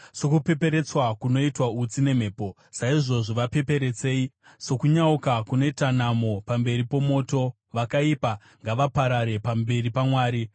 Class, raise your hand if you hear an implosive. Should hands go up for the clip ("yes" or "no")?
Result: no